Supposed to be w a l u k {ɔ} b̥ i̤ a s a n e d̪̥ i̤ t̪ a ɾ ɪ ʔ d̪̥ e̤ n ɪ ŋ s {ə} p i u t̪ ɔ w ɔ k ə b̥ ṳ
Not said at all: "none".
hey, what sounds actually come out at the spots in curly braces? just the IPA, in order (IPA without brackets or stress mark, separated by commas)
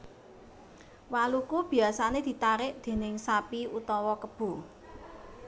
u, a